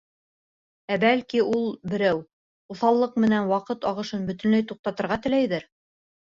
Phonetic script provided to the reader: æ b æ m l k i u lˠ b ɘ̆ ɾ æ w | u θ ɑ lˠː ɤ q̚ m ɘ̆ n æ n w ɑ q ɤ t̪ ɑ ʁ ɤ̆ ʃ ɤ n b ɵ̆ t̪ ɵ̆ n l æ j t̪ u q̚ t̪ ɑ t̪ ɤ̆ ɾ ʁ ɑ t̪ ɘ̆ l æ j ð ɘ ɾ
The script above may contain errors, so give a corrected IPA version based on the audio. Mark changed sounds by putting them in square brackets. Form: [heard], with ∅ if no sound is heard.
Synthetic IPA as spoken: æ b æ [∅] l k i u lˠ b ɘ̆ ɾ æ w | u θ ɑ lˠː ɤ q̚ m ɘ̆ n æ n w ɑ q ɤ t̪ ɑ ʁ ɤ̆ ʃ ɤ n b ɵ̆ t̪ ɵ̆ n l æ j t̪ u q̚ t̪ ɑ t̪ ɤ̆ ɾ ʁ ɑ t̪ ɘ̆ l æ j ð ɘ ɾ